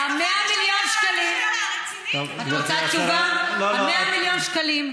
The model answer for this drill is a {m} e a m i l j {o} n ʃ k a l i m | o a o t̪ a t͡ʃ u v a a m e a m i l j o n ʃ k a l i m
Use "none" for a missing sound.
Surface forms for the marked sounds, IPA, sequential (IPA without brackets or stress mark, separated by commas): m, o